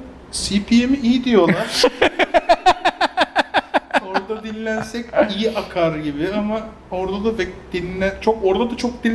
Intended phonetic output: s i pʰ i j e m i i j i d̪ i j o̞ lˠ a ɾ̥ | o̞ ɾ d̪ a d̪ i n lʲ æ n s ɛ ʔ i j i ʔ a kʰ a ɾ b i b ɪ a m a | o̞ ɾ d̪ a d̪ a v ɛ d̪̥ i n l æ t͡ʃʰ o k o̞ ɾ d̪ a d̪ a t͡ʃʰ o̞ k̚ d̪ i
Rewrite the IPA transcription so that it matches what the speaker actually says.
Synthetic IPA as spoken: s i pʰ i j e m i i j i d̪ i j o̞ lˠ a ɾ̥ | o̞ ɾ d̪ a d̪ i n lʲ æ n s ɛ c i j i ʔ a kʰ a ɾ ɟ i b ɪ a m a | o̞ ɾ d̪ a d̪ a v ɛ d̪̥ i n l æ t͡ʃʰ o k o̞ ɾ d̪ a d̪ a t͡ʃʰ o̞ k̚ d̪ i